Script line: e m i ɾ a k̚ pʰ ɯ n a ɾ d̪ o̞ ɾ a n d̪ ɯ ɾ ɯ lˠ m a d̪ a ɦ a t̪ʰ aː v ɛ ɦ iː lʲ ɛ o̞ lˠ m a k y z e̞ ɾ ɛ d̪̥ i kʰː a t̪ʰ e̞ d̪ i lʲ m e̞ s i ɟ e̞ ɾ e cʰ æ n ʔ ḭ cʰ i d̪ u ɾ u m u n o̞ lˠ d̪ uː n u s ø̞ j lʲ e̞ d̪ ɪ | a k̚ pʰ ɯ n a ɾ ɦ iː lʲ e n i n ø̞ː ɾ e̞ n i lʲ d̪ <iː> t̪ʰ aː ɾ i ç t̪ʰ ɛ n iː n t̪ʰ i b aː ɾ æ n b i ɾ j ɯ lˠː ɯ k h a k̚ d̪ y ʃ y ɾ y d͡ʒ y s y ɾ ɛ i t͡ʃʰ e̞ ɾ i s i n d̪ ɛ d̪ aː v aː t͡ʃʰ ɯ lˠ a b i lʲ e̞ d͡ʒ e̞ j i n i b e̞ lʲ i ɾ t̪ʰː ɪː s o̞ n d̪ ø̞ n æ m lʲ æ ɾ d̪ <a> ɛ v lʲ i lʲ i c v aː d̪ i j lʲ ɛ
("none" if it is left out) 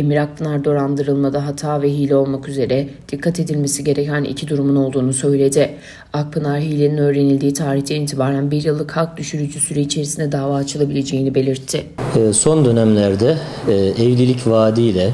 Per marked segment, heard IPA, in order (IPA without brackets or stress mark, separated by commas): iː, ɛ